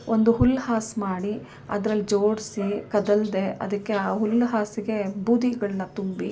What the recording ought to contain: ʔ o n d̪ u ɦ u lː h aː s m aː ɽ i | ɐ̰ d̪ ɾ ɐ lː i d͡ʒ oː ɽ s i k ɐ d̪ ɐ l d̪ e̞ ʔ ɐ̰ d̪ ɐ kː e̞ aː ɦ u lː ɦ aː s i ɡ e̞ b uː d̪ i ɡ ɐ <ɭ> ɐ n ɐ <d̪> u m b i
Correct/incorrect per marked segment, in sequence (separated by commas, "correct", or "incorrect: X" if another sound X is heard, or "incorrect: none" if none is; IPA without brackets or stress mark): correct, incorrect: t̪